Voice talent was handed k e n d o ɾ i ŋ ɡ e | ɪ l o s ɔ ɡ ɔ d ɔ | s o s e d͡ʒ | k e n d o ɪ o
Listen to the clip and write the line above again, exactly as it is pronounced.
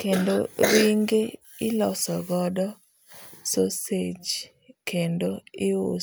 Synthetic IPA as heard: k e n d o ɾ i ŋ ɡ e | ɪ l ɔ s ɔ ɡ ɔ d ɔ | s o s e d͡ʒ | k e n d o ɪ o